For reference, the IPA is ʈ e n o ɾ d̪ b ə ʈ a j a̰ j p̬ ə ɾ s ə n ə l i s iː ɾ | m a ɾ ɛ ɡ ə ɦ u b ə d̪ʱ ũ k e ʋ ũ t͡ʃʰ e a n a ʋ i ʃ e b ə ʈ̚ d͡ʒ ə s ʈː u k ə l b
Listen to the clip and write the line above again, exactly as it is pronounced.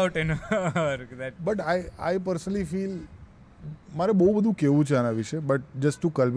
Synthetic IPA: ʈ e n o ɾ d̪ b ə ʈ a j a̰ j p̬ ə ɾ s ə n ə l i f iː l | m a ɾ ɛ b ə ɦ u b ə d̪ʱ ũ k e ʋ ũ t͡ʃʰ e a n a ʋ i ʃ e b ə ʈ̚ d͡ʒ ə s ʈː u k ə l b